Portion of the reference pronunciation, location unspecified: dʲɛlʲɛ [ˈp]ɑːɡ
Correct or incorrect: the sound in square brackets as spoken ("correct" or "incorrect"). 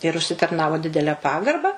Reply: correct